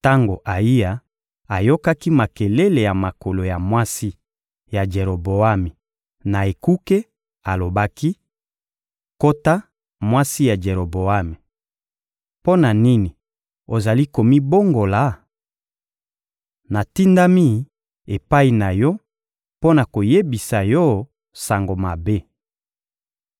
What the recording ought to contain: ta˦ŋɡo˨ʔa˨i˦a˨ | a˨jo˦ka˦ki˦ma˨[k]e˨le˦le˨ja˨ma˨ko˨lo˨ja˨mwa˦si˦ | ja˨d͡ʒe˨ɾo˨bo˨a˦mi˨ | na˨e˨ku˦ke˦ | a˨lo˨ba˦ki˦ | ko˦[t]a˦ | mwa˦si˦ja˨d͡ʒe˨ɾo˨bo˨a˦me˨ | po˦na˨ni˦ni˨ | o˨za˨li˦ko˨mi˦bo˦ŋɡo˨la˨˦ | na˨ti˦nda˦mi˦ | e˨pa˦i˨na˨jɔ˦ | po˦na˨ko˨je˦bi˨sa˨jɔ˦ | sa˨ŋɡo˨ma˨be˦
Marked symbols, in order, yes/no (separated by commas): yes, yes